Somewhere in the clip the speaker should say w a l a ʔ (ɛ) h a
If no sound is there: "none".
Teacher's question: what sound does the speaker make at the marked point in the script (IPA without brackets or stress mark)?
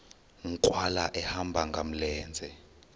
ɛ